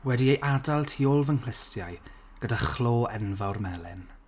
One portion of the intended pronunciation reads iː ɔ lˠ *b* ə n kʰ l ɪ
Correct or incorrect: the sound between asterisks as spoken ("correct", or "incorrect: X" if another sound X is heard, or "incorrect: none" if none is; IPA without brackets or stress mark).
incorrect: v